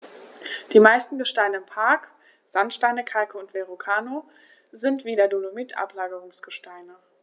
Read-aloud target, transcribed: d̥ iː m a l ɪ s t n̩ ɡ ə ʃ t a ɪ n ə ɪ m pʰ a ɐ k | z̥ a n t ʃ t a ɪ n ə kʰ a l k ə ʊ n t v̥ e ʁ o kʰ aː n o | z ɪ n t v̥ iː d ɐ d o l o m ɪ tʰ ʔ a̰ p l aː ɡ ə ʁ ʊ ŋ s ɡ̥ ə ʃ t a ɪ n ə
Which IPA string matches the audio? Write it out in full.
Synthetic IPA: d̥ iː m a ɪ s t n̩ ɡ ə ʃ t a ɪ n ə ɪ m pʰ a ɐ k | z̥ a n t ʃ t a ɪ n ə kʰ a l k ə ʊ n t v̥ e ʁ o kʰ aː n o | z ɪ n t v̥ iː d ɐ d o l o m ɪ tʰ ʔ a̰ p l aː ɡ ə ʁ ʊ ŋ s ɡ̥ ə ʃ t a ɪ n ə